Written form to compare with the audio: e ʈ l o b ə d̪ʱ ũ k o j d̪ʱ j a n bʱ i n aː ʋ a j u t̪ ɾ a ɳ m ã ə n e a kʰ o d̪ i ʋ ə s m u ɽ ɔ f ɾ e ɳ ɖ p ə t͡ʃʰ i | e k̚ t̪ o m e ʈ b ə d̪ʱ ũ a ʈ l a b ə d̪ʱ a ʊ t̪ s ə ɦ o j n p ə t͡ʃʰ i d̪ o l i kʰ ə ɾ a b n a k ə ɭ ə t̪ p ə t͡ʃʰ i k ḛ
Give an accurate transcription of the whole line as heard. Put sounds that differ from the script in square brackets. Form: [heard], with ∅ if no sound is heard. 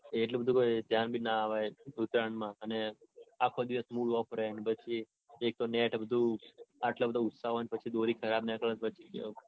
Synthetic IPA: e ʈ l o b ə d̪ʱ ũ k o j d̪ʱ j a n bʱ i n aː ʋ a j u t̪ ɾ a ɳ m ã ə n e a kʰ o d̪ i ʋ ə s m u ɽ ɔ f ɾ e ɳ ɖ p ə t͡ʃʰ i | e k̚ t̪ o [n] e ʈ b ə d̪ʱ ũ a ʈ l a b ə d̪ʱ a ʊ t̪ s [a] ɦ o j n p ə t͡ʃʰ i d̪ o [ɾ] i kʰ ə ɾ a b n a k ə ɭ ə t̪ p ə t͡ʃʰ i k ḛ